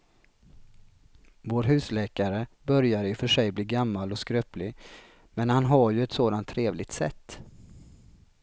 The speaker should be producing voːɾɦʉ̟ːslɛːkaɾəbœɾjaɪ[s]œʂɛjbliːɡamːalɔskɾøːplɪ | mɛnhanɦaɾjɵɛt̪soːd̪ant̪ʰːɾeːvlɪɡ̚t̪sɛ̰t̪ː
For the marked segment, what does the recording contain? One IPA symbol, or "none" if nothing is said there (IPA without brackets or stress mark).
f